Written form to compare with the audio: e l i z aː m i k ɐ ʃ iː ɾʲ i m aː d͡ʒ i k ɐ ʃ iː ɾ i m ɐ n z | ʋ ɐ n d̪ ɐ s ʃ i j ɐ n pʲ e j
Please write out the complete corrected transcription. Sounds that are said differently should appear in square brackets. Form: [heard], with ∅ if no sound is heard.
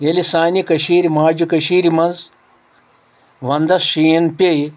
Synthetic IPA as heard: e l i [s] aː [n] i k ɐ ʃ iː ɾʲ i m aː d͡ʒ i k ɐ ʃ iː ɾ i m ɐ n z | ʋ ɐ n d̪ ɐ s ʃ i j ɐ n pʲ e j